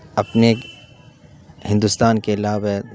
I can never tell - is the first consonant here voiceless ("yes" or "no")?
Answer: yes